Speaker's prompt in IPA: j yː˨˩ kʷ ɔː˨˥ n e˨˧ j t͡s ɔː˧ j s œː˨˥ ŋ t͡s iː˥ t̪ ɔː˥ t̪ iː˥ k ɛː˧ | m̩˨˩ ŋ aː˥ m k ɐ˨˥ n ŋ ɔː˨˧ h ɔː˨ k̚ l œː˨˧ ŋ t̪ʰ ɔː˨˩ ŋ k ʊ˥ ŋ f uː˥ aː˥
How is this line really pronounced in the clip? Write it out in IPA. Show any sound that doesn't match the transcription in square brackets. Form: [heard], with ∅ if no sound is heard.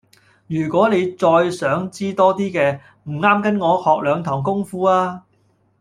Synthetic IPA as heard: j yː˨˩ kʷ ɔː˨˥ n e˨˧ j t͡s ɔː˧ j s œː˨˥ ŋ t͡s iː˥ t̪ ɔː˥ t̪ iː˥ k ɛː˧ | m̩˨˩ ŋ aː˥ m k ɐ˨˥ n ŋ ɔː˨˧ h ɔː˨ k̚ l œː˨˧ ŋ t̪ʰ ɔː˨˩ ŋ k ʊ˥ ŋ f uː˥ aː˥